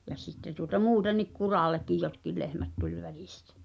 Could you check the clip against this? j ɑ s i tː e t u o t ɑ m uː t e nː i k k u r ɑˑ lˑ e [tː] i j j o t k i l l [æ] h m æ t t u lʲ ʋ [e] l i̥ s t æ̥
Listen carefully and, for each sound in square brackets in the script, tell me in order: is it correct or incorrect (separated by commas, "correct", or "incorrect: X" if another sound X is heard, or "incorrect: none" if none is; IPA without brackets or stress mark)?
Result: incorrect: kː, incorrect: e, incorrect: æ